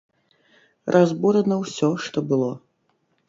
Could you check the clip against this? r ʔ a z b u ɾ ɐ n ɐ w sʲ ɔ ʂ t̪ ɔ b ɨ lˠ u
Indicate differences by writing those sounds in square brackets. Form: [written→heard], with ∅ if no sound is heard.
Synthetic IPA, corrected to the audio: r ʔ a z b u ɾ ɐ n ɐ w sʲ ɔ ʂ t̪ ɔ b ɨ lˠ [u→ɔ]